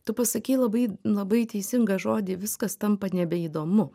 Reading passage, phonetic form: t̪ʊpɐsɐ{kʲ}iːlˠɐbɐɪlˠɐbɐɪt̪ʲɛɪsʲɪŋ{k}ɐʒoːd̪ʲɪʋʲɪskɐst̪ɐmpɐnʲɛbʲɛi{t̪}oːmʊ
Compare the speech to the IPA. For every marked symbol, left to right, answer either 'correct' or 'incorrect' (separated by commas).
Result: correct, incorrect, incorrect